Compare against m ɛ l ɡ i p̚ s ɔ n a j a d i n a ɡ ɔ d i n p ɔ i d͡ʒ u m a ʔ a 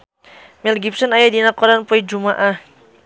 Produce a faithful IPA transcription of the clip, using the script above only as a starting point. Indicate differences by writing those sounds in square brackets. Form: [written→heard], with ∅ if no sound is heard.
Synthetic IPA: m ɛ l ɡ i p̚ s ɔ n a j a d i n a [ɡ→k] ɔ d [i→a] n p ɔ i d͡ʒ u m a ʔ a